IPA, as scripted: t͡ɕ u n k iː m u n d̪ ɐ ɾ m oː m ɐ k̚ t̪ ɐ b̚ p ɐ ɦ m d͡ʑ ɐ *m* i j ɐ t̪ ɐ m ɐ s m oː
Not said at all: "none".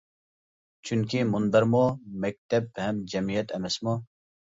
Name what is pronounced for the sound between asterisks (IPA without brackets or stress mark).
m